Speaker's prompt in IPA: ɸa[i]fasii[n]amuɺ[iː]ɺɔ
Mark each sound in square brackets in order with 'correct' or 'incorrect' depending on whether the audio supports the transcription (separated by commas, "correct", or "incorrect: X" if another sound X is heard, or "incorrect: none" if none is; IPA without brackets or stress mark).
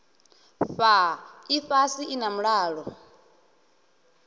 correct, correct, incorrect: aː